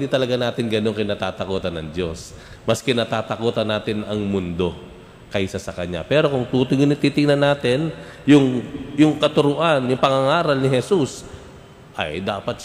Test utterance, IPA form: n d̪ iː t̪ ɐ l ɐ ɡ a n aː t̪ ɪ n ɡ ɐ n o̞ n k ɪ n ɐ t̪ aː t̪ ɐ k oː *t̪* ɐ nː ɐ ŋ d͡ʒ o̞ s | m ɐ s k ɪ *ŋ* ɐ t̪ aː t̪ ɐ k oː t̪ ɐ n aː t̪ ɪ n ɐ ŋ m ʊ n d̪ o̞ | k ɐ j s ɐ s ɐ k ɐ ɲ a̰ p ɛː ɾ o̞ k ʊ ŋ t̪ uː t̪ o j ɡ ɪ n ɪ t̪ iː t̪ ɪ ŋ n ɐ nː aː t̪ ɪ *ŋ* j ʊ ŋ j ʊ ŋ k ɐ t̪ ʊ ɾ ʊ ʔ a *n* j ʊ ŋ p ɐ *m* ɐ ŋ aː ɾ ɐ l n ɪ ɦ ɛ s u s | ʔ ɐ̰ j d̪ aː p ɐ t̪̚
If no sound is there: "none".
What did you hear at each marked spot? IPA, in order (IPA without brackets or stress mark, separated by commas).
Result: t̪, n, n, n, ŋ